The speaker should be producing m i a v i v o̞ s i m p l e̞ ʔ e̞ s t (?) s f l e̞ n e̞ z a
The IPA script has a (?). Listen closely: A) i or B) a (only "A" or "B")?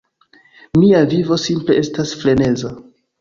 B